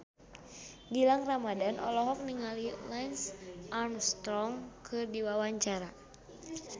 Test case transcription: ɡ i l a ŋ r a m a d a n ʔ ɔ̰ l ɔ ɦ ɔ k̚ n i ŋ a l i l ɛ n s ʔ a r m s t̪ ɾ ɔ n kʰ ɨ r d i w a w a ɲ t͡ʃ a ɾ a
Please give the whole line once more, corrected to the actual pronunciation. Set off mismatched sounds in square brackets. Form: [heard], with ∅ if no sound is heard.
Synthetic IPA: ɡ i l a ŋ r a m a d a n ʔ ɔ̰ l ɔ ɦ ɔ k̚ n i ŋ a l i l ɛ n s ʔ a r m s t̪ ɾ ɔ [ŋ] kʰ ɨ r d i w a w a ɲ t͡ʃ a ɾ a